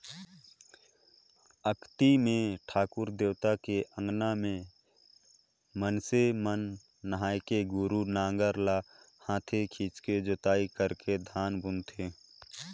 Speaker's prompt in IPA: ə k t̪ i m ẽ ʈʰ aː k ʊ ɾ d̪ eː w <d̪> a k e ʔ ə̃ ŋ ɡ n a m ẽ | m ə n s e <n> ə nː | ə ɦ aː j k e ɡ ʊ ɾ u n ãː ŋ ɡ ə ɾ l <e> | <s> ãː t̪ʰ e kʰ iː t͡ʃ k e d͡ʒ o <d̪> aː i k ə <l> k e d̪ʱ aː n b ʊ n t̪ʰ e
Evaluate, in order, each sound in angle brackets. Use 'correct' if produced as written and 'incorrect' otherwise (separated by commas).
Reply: incorrect, incorrect, incorrect, incorrect, incorrect, incorrect